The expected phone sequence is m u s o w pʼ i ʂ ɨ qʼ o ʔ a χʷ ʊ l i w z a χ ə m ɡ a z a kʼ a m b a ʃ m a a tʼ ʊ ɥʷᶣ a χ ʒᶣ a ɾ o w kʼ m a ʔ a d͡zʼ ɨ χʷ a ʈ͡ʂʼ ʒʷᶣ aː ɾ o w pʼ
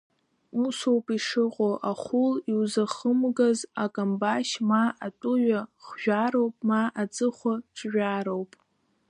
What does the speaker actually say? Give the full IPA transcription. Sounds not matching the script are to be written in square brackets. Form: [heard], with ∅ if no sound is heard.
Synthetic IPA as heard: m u s o w pʼ i ʂ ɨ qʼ o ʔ a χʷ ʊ l i w z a χ ə m ɡ a z a kʼ a m b a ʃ m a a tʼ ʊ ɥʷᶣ a χ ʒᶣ a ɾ o w [pʼ] m a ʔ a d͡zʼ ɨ χʷ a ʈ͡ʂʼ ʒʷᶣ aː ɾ o w pʼ